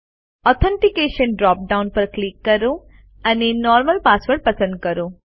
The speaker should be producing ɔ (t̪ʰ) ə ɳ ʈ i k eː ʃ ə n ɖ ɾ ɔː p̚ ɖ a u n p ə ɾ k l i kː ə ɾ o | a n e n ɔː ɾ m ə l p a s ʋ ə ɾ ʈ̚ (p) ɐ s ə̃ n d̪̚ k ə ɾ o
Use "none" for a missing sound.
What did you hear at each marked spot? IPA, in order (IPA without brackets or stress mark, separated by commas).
t̪ʰ, p